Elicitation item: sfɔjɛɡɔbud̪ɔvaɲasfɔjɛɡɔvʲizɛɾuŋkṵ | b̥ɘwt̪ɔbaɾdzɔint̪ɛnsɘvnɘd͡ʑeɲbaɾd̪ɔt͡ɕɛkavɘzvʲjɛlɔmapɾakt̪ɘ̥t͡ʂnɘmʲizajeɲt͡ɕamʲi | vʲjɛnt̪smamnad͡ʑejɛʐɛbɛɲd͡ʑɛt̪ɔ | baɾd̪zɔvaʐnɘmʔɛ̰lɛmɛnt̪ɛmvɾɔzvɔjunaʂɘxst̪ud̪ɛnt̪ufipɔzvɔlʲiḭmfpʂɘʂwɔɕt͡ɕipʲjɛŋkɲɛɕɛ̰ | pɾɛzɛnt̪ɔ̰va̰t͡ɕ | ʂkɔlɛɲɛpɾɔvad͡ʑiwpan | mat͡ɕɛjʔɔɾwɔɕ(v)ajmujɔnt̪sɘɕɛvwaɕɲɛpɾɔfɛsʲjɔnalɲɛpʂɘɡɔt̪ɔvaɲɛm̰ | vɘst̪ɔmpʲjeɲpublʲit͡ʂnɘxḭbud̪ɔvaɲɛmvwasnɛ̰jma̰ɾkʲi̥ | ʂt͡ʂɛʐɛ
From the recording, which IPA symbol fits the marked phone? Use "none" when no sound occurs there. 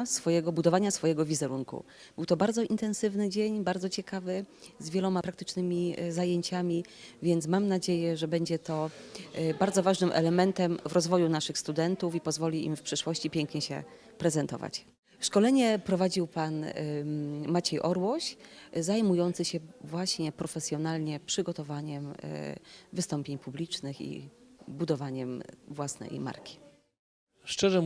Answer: z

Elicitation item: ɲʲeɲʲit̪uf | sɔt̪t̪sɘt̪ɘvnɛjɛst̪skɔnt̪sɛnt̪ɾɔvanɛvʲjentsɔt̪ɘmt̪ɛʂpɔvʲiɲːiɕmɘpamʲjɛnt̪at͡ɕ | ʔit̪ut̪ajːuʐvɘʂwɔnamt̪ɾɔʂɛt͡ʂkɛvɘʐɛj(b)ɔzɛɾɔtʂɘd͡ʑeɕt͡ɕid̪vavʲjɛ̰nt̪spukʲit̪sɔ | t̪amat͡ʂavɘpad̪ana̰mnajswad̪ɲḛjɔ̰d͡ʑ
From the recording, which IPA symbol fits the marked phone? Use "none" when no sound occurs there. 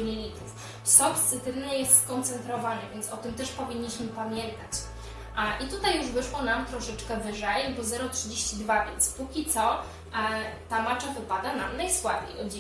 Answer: b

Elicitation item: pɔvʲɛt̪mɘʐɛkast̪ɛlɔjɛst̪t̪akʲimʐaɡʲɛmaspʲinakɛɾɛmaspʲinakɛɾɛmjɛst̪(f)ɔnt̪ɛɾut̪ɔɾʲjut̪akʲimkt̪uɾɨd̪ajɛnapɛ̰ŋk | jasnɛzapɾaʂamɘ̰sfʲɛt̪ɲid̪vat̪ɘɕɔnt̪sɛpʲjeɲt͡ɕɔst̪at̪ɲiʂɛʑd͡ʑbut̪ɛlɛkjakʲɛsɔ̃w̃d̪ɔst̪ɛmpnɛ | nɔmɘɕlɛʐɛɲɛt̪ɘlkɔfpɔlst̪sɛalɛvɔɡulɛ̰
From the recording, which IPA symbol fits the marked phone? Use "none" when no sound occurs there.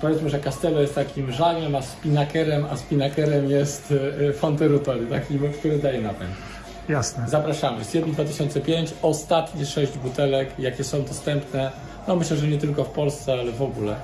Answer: f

